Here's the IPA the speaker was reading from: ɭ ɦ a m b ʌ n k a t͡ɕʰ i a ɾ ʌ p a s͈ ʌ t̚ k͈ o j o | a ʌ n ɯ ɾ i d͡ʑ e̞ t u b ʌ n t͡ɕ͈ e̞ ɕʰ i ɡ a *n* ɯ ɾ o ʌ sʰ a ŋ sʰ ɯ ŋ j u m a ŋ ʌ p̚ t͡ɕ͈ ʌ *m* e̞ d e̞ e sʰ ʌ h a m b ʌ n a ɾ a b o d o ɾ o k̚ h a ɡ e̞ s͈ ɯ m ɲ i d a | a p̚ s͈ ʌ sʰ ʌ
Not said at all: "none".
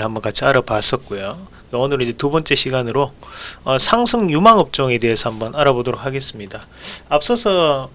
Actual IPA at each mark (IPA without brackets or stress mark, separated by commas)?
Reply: n, ŋ